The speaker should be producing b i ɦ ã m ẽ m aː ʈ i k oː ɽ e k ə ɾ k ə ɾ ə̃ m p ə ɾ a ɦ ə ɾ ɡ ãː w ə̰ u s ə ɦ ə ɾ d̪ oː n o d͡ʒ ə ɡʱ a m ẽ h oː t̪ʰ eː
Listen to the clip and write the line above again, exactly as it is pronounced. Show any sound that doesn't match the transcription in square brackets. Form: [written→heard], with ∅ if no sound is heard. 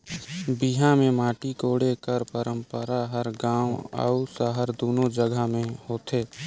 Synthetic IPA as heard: b i ɦ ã m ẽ m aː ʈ i k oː ɽ e k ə ɾ [k→p] ə ɾ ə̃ m p ə ɾ a ɦ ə ɾ ɡ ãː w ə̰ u s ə ɦ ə ɾ d̪ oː n o d͡ʒ ə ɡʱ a m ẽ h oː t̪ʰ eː